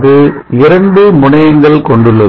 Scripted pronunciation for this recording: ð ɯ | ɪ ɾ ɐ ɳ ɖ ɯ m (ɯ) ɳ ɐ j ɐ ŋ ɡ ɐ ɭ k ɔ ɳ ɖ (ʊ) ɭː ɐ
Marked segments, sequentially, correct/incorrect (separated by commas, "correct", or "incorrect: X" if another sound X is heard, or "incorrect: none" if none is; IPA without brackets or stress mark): incorrect: ʊ, incorrect: ɯ